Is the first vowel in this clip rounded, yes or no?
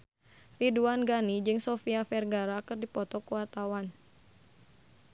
no